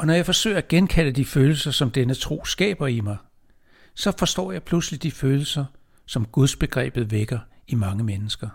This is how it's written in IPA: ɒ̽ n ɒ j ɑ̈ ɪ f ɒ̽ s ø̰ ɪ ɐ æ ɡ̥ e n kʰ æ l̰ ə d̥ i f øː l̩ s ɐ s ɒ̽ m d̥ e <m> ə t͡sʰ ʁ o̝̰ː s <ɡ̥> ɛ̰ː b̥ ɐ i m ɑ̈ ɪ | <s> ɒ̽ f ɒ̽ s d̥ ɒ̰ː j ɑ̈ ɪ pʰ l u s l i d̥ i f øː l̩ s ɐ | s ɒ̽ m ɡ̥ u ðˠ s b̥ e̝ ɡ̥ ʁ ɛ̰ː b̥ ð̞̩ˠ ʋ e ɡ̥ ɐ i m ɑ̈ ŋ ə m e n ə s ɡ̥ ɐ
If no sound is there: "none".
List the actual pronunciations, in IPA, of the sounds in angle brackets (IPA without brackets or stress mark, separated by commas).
n, ɡ̥, s